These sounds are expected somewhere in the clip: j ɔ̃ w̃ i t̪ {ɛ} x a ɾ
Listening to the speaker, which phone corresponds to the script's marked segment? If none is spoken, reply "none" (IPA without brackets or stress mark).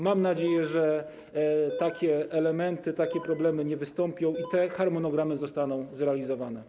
ɛ